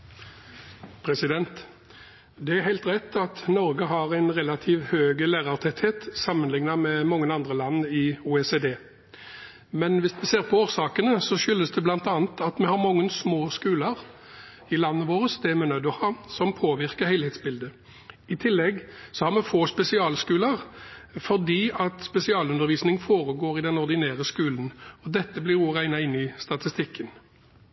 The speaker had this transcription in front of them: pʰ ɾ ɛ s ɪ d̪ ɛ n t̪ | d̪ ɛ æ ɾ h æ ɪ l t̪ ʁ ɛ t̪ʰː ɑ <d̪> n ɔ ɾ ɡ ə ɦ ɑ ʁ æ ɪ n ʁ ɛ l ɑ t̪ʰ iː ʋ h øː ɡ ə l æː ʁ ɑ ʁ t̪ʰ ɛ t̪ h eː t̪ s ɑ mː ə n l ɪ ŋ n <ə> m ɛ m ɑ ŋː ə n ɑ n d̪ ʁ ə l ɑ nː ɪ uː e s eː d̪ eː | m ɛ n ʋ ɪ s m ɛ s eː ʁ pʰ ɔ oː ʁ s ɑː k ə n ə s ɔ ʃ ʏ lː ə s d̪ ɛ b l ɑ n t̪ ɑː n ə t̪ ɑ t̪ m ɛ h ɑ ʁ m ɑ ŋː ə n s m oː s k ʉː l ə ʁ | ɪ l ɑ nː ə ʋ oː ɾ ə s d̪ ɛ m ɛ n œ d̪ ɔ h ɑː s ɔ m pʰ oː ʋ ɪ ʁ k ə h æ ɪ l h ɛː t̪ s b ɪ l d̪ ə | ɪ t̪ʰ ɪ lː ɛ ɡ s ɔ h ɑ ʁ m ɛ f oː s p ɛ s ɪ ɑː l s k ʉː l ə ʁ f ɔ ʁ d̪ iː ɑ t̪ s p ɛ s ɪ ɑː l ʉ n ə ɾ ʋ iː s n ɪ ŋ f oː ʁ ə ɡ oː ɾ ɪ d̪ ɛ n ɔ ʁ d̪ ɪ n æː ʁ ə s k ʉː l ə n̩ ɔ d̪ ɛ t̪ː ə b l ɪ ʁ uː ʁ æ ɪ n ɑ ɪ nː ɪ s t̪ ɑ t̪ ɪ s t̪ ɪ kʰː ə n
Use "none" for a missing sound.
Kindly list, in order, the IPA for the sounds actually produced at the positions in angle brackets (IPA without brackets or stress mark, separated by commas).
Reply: t̪, ɑ